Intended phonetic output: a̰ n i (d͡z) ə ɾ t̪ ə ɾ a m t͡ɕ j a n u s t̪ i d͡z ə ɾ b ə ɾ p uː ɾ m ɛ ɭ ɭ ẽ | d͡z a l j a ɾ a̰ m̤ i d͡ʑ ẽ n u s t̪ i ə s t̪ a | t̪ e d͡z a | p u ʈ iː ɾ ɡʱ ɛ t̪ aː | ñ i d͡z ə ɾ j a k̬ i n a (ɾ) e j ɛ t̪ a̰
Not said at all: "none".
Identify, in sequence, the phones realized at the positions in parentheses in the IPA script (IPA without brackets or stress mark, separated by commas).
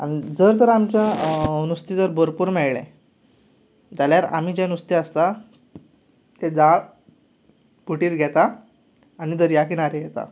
d͡z, ɾ